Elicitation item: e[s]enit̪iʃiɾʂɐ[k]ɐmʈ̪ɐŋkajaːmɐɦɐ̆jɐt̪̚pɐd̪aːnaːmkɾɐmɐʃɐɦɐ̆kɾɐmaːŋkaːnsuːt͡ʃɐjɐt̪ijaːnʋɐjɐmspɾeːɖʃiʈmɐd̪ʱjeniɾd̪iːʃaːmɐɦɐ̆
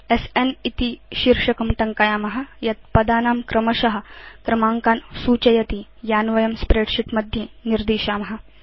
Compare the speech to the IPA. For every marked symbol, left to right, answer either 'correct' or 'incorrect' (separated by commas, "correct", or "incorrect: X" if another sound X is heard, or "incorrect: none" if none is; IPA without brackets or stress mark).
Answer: correct, correct